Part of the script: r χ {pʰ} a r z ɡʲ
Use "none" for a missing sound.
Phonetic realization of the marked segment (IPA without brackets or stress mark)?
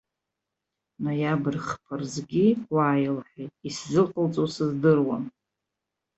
pʰ